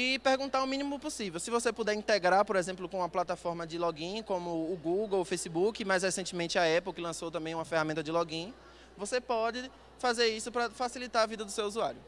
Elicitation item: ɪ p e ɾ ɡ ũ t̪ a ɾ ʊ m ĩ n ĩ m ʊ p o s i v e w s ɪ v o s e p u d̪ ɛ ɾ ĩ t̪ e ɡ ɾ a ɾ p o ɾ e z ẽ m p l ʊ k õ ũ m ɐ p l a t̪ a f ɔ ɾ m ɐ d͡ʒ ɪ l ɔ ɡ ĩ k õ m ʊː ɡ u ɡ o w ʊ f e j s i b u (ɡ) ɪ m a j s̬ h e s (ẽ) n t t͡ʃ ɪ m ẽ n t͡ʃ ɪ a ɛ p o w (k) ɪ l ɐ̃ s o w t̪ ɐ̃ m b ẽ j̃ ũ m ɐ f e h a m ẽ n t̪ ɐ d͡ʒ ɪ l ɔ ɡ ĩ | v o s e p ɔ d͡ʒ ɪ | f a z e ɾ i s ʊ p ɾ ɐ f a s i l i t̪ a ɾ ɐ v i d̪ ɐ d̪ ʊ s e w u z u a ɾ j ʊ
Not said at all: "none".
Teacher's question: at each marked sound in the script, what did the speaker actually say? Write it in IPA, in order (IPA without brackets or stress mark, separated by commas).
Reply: k, ẽ, k